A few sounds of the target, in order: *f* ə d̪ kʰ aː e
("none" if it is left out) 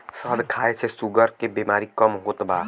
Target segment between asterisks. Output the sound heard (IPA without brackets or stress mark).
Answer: s